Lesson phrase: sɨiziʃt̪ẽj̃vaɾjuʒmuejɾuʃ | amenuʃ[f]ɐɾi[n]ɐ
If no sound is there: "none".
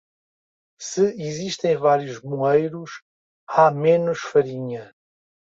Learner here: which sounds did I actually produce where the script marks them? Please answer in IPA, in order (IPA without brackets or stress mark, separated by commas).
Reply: f, ɲ